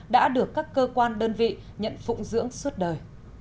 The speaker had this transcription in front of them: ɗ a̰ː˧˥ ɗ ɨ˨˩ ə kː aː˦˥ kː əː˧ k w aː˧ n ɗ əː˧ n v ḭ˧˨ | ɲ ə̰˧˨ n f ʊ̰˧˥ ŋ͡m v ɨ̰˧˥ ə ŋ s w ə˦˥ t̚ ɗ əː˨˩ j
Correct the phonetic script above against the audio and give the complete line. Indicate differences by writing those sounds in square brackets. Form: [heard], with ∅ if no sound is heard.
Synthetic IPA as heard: ɗ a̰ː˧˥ ɗ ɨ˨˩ ə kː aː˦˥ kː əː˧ k w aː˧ n ɗ əː˧ n v ḭ˧˨ | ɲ ə̰˧˨ n f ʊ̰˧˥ ŋ͡m [z] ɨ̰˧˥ ə ŋ s w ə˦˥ t̚ ɗ əː˨˩ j